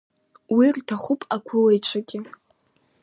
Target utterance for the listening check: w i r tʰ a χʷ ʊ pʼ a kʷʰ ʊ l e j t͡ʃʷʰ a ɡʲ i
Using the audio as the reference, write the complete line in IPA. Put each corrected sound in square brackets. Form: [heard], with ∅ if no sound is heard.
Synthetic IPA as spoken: w i r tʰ a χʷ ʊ pʼ a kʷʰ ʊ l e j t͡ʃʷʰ a ɡʲ [ɪ]